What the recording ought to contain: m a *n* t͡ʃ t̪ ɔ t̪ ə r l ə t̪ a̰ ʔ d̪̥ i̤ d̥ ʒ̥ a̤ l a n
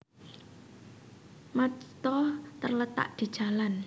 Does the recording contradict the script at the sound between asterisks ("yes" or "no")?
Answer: yes